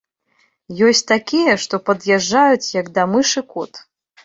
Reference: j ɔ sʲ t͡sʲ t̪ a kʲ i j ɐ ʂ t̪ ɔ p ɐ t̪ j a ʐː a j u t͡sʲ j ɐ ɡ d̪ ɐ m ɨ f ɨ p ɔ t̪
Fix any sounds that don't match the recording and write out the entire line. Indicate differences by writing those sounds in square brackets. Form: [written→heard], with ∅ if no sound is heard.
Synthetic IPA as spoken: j ɔ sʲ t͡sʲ t̪ a kʲ i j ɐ ʂ t̪ ɔ p ɐ [t̪→d̪] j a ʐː a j u t͡sʲ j ɐ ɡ d̪ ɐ m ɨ [f→ʂ] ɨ [p→k] ɔ t̪